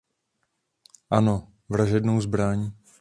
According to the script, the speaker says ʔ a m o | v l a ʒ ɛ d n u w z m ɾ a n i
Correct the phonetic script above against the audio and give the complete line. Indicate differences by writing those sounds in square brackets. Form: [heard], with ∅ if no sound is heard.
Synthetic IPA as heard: ʔ a [n] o | v [ɾ] a ʒ ɛ d n [o] w z [b] ɾ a [ɲ] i